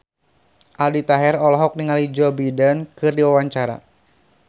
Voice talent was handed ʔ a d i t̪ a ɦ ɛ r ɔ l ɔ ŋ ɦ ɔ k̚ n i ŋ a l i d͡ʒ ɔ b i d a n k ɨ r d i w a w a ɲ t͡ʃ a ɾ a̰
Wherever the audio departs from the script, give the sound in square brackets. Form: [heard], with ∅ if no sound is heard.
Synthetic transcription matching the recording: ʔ a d i t̪ a ɦ ɛ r ɔ l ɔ [∅] ɦ ɔ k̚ n i ŋ a l i d͡ʒ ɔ b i d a n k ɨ r d i w a w a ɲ t͡ʃ a ɾ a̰